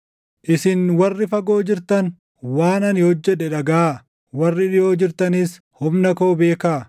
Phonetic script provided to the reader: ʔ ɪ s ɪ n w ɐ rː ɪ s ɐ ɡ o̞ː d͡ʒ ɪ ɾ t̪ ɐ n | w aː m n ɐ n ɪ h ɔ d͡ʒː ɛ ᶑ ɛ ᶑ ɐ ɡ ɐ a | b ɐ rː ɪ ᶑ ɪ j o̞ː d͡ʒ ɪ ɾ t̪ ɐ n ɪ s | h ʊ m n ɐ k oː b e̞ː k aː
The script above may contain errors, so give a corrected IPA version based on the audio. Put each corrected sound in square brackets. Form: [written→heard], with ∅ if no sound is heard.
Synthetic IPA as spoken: ʔ ɪ s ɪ n w ɐ rː ɪ [s→f] ɐ ɡ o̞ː d͡ʒ ɪ ɾ t̪ ɐ n | w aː [m→∅] n ɐ n ɪ h ɔ d͡ʒː ɛ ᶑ ɛ ᶑ ɐ ɡ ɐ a | [b→w] ɐ rː ɪ ᶑ ɪ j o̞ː d͡ʒ ɪ ɾ t̪ ɐ n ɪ s | h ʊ m n ɐ k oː b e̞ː k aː